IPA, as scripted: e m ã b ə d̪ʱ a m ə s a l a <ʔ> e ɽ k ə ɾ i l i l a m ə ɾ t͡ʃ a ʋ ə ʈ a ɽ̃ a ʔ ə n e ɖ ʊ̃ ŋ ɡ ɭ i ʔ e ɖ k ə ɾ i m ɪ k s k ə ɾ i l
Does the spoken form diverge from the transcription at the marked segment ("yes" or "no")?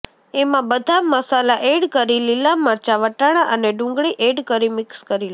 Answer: no